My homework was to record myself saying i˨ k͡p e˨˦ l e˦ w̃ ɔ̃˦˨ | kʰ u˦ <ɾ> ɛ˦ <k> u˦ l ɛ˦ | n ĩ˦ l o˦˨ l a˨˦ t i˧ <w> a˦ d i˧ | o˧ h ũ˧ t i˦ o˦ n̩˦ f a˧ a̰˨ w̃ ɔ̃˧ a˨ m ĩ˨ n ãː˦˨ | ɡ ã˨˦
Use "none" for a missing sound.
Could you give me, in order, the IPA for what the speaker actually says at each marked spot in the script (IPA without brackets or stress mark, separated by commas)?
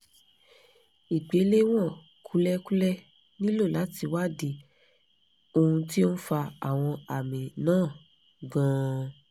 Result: l, k, w